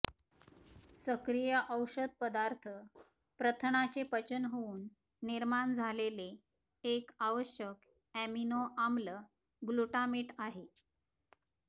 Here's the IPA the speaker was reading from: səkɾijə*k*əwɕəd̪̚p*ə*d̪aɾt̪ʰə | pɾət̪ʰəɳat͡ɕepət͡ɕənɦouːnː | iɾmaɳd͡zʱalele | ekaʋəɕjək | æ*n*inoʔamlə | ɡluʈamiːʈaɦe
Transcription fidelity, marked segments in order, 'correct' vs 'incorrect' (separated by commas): incorrect, correct, incorrect